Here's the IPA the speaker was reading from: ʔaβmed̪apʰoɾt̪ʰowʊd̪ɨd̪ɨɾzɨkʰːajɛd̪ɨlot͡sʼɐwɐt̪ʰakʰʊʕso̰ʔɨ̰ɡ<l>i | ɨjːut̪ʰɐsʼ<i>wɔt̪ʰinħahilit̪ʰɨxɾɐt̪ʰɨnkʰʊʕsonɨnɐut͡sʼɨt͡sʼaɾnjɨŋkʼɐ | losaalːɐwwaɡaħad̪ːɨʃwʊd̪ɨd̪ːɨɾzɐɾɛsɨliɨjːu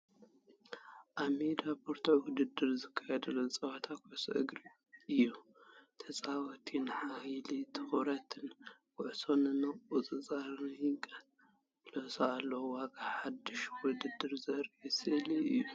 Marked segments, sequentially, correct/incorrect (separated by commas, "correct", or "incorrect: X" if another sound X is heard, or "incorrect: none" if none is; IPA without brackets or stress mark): incorrect: ɾ, incorrect: a